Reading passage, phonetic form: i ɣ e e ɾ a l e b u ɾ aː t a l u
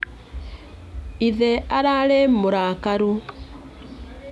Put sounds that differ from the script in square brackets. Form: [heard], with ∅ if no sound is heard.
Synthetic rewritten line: i [ð] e [a] ɾ a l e [m] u ɾ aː [k] a [ɾ] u

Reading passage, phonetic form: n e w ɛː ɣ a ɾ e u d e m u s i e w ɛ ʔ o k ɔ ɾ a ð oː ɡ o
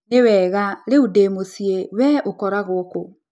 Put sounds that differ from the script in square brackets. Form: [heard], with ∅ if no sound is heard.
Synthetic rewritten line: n e w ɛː ɣ a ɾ e u d e m [o] s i e w ɛ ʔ o k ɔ ɾ a [ɣ] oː [k] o

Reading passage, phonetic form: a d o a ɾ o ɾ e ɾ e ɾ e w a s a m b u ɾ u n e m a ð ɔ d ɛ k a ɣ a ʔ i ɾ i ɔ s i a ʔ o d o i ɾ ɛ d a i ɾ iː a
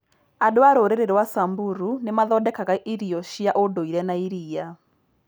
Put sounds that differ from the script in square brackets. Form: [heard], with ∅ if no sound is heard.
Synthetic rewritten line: a d o a ɾ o ɾ e ɾ e ɾ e w a s a m b u ɾ u n e m a ð ɔ d ɛ k a ɣ a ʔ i ɾ i ɔ [ʃ] i a ʔ o d o i ɾ ɛ [n] a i ɾ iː a

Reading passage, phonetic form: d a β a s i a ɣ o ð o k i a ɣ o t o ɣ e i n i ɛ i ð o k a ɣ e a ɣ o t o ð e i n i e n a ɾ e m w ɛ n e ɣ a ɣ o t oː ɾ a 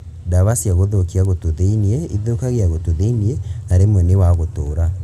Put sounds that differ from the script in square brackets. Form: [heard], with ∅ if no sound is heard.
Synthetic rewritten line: d a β a s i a ɣ o ð o k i a ɣ o t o [ð] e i n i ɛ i ð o k a ɣ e a ɣ o t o ð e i n i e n a ɾ e m w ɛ n e [w] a ɣ o t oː ɾ a

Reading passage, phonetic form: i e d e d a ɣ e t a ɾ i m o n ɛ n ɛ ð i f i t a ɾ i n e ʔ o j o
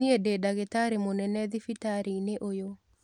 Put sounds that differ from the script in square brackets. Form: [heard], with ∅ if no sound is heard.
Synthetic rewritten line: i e d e d a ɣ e t a ɾ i m o n ɛ n ɛ ð i f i t a ɾ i n e ʔ o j o

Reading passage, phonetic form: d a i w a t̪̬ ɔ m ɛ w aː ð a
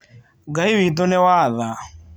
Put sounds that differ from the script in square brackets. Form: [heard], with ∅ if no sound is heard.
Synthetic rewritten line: [ɡ] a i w [i] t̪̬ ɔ [n] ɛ w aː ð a

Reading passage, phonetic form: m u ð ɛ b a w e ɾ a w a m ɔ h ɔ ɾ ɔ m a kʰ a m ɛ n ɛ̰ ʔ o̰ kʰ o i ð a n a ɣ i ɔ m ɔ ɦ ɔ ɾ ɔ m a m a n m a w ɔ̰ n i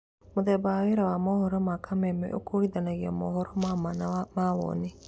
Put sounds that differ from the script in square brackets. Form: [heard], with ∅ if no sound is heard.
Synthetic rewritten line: m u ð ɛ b a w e ɾ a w a m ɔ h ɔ ɾ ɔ m a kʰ a m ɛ [m] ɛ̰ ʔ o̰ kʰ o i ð a n a ɣ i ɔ m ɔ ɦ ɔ ɾ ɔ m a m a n m a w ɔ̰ n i

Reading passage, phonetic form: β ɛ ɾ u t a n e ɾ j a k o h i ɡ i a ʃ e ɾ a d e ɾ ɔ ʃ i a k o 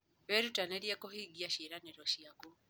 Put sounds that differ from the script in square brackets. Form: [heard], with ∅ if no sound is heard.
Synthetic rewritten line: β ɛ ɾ u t a n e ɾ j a k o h i ɡ i a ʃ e ɾ a [n] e ɾ ɔ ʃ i a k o

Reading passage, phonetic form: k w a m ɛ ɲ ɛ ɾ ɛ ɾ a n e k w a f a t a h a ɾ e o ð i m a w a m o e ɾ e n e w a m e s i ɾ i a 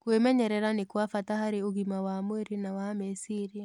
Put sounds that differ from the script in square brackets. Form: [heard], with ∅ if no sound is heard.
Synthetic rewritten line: k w [e] m ɛ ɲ ɛ ɾ ɛ ɾ a n e k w a f a t a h a ɾ e o [ɣ] i m a w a m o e ɾ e n [a] w a m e s i ɾ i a

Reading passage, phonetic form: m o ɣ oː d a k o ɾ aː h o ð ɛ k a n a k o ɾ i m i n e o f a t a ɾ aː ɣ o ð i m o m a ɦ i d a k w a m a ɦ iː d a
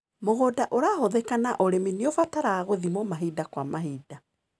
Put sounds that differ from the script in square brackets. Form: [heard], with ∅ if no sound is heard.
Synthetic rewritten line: m o ɣ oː d a [ʔ] o ɾ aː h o ð ɛ k a n a [ʔ] o ɾ [e] m i n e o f a t a ɾ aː ɣ o ð i m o m a ɦ i d a k w a m a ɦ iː d a

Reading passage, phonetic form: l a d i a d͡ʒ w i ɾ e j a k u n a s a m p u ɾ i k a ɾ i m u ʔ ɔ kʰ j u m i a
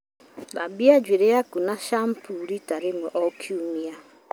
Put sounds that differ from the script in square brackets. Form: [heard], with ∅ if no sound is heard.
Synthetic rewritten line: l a [b] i a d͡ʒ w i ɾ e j a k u n a [ʃ] a m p u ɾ i [t] a ɾ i m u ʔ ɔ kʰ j u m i a

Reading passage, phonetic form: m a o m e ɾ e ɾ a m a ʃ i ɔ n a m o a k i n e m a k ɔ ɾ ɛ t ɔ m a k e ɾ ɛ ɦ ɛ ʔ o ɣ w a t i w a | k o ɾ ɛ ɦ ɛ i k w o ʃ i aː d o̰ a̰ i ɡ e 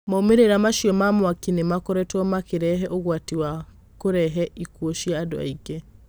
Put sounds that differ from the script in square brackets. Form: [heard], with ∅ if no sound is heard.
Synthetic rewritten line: m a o m e ɾ e ɾ a m a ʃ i ɔ [m] a m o a k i n e m a k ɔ ɾ ɛ t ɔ m a k e ɾ ɛ ɦ ɛ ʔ o ɣ w a t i w a | k o ɾ ɛ ɦ ɛ i k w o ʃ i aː d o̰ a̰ i ɡ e

